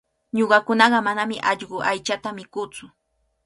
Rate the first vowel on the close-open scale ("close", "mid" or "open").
mid